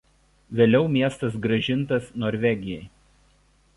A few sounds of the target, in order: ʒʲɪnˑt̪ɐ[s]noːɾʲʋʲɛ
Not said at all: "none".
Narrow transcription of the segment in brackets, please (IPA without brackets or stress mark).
s